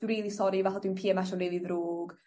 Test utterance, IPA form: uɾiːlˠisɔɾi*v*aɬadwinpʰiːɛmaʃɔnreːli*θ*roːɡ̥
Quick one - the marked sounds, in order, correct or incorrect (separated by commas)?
correct, incorrect